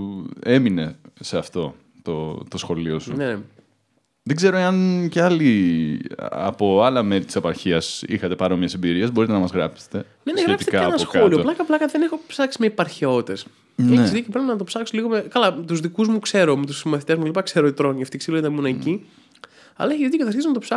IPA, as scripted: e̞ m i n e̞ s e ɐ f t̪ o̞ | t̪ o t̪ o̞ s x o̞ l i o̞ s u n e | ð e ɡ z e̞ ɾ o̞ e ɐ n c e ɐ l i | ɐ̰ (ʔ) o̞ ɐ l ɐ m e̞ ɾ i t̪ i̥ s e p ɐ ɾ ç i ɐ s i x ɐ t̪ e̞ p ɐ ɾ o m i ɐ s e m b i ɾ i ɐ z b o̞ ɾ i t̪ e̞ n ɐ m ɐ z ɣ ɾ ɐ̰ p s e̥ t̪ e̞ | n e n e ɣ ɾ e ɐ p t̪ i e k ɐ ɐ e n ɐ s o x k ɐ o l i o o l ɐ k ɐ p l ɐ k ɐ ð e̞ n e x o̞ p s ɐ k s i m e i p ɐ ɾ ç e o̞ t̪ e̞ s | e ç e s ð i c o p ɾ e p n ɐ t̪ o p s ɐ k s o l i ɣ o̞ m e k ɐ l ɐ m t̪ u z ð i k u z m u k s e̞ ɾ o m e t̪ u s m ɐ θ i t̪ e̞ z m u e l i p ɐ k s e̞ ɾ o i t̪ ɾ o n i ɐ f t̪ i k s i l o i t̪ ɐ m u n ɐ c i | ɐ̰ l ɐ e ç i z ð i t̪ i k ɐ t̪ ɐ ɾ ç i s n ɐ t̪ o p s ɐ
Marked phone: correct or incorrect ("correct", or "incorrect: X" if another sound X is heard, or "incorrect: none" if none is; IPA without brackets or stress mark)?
incorrect: p